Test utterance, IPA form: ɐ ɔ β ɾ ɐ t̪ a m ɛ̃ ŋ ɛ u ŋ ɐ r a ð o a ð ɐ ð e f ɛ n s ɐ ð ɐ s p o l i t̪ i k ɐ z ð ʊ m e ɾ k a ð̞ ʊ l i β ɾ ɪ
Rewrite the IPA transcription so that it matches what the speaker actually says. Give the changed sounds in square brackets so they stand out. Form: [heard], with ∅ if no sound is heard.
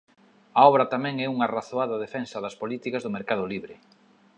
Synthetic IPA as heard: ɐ ɔ β ɾ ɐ t̪ a m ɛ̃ ŋ ɛ u ŋ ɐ r a [θ] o a ð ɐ ð e f ɛ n s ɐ ð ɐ s p o l i t̪ i k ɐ z ð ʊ m e ɾ k a ð̞ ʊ l i β ɾ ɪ